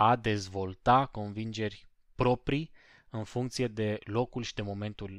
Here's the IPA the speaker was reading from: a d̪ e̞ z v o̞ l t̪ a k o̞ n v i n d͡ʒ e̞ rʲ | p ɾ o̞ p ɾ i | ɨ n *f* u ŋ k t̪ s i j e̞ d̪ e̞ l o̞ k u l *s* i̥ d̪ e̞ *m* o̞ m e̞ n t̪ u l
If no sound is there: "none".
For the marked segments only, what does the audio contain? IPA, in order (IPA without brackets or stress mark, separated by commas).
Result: f, ʃ, m